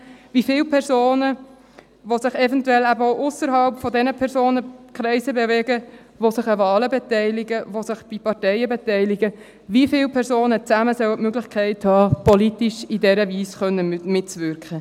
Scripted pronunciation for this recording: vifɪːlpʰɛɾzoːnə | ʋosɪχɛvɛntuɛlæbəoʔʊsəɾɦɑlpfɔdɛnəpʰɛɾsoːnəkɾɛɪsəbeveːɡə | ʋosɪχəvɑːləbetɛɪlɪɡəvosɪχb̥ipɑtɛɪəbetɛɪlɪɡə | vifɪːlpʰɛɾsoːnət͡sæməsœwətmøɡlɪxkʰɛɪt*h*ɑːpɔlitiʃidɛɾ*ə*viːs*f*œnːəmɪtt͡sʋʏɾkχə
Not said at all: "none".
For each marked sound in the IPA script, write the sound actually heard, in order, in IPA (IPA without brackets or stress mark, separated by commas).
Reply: h, ə, χ